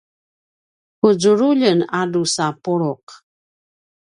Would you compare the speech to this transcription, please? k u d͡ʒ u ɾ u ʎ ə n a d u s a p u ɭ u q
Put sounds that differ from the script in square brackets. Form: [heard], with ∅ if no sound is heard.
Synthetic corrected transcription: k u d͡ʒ u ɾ u ʎ ə n a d u s a p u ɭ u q